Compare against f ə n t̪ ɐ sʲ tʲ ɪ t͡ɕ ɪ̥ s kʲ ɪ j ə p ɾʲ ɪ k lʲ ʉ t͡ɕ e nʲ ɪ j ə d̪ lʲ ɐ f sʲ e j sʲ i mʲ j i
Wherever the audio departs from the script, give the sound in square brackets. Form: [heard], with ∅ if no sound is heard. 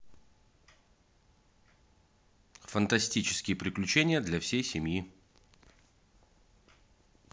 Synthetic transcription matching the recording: f ə n t̪ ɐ sʲ tʲ [i] t͡ɕ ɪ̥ s kʲ ɪ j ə p ɾʲ ɪ k lʲ ʉ t͡ɕ e nʲ ɪ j ə d̪ lʲ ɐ f sʲ e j sʲ [ɪ] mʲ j i